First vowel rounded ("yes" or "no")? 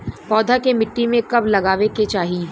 yes